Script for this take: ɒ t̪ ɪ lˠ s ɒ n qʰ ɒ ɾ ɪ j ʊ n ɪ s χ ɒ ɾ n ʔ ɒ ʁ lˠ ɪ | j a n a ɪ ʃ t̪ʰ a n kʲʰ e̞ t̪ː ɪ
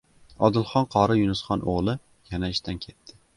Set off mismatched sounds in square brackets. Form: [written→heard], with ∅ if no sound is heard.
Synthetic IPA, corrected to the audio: ɒ [t̪→d̪] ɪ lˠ [s→χ] ɒ n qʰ ɒ ɾ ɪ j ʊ n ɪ s χ ɒ [ɾ→∅] n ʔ [ɒ→o] ʁ lˠ ɪ | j a n a ɪ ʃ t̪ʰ a n kʲʰ e̞ t̪ː ɪ